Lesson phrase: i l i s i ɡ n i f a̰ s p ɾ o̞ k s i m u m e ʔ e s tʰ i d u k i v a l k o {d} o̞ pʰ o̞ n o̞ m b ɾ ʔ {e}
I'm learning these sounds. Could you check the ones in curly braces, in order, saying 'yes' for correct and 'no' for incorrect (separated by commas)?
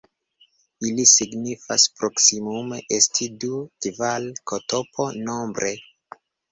no, yes